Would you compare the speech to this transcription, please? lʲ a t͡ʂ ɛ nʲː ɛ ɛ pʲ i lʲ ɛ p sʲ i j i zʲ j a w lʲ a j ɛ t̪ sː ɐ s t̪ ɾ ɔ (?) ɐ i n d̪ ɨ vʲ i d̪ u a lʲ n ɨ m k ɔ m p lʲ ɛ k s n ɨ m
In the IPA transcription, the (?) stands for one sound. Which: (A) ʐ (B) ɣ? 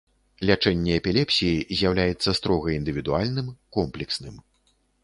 B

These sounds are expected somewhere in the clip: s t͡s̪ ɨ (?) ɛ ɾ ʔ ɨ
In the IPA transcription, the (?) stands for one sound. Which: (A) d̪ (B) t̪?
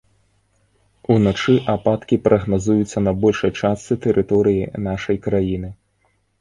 B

